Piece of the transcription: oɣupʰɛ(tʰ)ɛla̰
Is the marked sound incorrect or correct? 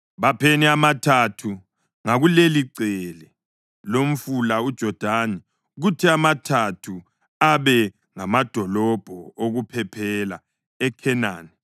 incorrect